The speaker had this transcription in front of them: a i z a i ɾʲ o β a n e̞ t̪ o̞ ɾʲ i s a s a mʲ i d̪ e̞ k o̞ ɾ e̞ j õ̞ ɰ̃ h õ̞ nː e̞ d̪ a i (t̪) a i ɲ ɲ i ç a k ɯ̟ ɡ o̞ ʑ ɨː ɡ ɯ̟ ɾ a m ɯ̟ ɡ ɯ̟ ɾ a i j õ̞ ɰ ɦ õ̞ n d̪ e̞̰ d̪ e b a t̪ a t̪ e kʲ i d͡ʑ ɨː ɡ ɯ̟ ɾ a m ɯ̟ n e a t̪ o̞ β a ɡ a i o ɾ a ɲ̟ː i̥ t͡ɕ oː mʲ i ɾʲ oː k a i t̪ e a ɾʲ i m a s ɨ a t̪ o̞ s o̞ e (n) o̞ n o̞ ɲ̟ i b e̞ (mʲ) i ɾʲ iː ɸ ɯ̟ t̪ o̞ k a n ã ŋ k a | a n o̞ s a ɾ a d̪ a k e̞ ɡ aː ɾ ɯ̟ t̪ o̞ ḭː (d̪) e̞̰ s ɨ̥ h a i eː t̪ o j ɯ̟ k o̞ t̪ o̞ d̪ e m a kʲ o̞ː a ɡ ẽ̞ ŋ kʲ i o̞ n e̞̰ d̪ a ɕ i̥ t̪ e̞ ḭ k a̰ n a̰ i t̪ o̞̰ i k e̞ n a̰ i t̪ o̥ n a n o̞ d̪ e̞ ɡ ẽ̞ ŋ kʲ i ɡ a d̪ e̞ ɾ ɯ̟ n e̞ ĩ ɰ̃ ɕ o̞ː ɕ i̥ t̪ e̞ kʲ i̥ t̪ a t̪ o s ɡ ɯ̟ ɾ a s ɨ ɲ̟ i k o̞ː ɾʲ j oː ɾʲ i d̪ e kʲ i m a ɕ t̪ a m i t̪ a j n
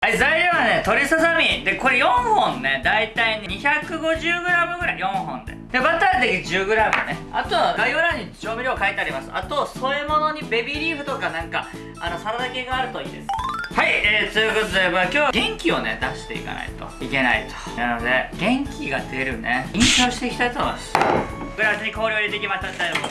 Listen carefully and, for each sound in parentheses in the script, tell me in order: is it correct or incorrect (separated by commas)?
correct, incorrect, incorrect, correct